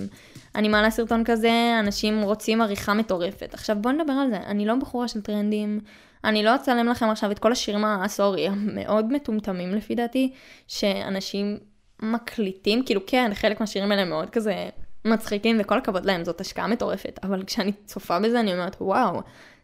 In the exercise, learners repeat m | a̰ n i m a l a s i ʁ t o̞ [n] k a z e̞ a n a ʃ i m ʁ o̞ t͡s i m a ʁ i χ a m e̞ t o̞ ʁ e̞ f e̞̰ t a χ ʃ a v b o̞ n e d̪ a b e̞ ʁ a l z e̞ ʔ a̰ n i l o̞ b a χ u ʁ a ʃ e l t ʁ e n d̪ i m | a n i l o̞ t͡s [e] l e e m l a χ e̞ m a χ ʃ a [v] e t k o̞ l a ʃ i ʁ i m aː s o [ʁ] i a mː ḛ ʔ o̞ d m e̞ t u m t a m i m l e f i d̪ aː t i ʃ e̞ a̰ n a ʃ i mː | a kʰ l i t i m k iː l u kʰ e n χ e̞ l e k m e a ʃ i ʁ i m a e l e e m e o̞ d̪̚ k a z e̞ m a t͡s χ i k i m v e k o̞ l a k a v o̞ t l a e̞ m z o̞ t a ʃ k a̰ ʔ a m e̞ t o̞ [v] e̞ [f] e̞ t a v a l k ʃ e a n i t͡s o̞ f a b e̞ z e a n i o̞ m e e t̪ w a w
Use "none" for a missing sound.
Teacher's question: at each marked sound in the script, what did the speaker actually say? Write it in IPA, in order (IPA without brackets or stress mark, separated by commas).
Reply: n, a, v, ʁ, ʁ, f